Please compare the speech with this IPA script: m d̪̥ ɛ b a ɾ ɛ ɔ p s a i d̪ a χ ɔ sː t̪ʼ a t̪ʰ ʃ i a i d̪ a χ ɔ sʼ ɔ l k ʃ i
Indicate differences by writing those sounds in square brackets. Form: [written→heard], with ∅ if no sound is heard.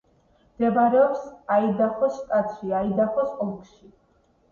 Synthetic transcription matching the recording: m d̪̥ ɛ b a ɾ ɛ ɔ p s a i d̪ a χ ɔ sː t̪ʼ a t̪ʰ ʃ i a i d̪ a χ ɔ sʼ ɔ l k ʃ i